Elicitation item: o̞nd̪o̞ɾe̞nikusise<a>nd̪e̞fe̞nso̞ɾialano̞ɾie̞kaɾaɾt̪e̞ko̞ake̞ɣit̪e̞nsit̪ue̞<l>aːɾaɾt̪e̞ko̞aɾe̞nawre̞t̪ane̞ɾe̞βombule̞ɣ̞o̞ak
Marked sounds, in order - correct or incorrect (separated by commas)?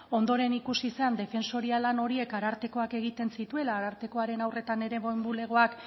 correct, correct